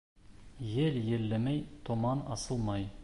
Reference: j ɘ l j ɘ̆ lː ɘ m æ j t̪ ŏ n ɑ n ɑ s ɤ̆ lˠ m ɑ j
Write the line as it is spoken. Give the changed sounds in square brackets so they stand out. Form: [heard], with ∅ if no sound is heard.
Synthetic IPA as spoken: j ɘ l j ɘ̆ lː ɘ m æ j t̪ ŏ [m] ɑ n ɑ s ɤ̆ lˠ m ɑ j